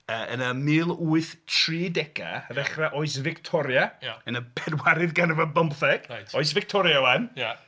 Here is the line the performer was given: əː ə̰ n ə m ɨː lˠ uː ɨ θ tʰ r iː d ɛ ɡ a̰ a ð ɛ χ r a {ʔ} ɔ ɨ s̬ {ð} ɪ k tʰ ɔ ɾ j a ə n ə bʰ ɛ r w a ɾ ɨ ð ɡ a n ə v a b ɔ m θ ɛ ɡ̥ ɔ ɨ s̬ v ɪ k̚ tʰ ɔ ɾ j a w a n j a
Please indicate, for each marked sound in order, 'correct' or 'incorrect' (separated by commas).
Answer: correct, incorrect